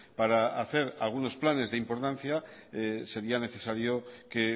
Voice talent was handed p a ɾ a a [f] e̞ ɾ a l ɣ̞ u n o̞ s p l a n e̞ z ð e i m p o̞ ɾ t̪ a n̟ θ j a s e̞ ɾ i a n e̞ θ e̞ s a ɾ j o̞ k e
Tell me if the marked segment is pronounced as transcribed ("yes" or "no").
no